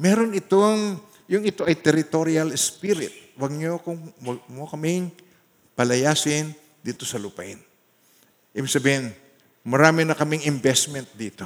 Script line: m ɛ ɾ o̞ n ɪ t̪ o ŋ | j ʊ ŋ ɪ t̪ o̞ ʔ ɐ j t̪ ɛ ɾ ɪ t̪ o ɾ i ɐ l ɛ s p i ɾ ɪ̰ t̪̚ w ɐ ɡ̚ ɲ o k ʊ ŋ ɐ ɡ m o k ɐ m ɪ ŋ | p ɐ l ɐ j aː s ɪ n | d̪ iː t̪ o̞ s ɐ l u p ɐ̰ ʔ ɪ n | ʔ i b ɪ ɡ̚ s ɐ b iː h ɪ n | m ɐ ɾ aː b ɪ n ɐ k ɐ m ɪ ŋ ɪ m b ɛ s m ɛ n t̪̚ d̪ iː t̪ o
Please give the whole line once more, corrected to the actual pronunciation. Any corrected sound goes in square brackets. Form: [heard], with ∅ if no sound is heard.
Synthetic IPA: m ɛ ɾ o̞ n ɪ t̪ o ŋ | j ʊ ŋ ɪ t̪ o̞ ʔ ɐ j t̪ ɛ ɾ ɪ t̪ o ɾ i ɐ l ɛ s p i ɾ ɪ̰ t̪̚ w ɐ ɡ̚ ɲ o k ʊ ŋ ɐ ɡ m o k ɐ m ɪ ŋ | p ɐ l ɐ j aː s ɪ n | d̪ iː t̪ o̞ s ɐ l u p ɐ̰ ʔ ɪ n | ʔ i b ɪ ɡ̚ s ɐ b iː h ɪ n | m ɐ ɾ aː [m] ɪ n ɐ k ɐ m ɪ ŋ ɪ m b ɛ s m ɛ n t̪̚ d̪ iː t̪ o